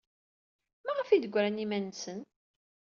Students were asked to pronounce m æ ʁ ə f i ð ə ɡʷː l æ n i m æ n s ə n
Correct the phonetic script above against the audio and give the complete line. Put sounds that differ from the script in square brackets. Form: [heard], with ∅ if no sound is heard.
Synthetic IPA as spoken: m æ ʁ ə f i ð ə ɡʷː [ɾ] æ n i m æ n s ə n